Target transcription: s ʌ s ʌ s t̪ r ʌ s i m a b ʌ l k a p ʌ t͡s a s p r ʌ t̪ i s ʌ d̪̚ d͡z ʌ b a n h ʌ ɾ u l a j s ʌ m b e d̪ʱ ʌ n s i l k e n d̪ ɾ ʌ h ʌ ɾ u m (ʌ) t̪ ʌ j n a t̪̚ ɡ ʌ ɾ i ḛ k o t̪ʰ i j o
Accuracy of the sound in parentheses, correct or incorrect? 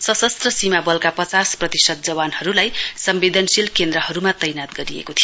incorrect